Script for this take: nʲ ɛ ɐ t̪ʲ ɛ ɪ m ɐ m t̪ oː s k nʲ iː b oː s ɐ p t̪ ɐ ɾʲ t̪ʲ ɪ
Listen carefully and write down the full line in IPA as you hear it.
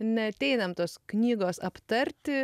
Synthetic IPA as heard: nʲ ɛ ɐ t̪ʲ ɛ ɪ n ɐ m t̪ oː s k nʲ iː ɡ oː s ɐ p t̪ ɐ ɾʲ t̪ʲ ɪ